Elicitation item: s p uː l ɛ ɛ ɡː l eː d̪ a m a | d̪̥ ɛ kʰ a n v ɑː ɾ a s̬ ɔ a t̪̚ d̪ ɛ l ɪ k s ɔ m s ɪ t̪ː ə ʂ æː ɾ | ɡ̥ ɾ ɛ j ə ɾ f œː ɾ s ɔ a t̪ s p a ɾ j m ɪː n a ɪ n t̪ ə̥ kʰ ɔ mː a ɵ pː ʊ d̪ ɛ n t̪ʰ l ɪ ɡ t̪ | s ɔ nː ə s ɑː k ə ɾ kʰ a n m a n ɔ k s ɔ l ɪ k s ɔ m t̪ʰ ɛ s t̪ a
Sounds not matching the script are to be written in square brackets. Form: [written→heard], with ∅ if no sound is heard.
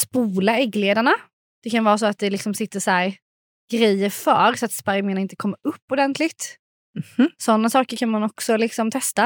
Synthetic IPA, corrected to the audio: s p uː l [ɛ→a] ɛ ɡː l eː d̪ a [m→ɳ] a | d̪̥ ɛ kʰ a n v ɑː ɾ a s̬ ɔ a t̪̚ d̪ ɛ l ɪ k s ɔ m s ɪ t̪ː ə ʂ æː ɾ | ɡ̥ ɾ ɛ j ə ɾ f œː ɾ s ɔ a t̪ s p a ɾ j m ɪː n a ɪ n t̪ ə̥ kʰ ɔ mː a ɵ pː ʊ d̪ ɛ n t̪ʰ l ɪ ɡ t̪ | s ɔ nː [ə→a] s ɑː k ə ɾ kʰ a n m a n ɔ k s ɔ l ɪ k s ɔ m t̪ʰ ɛ s t̪ a